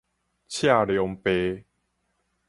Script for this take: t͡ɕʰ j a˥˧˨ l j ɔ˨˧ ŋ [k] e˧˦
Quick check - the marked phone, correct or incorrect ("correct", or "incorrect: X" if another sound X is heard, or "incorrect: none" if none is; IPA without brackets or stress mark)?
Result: incorrect: p